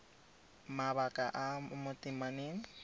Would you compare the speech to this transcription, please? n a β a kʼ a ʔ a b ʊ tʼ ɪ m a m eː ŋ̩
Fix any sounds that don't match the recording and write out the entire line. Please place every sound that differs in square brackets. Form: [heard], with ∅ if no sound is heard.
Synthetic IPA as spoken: [m] a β a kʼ a ʔ a [m] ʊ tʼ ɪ m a [n] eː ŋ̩